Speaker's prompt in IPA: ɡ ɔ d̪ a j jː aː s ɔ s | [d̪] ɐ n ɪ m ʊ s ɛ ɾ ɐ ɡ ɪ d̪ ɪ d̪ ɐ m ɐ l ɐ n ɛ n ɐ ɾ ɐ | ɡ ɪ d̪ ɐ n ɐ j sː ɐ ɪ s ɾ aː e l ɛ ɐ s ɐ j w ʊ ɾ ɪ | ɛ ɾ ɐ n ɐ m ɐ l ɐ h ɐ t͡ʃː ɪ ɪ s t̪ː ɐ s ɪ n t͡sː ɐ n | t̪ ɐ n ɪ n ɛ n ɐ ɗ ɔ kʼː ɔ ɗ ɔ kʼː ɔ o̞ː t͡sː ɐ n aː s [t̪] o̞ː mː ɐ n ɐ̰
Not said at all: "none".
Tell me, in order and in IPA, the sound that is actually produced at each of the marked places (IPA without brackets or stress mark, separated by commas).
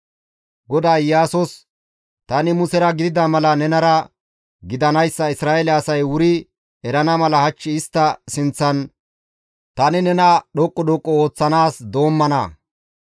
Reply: t̪, d̪